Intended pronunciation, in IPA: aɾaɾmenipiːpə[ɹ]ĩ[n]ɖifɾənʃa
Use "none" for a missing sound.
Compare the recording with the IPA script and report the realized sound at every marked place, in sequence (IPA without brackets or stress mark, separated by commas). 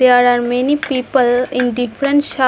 l, n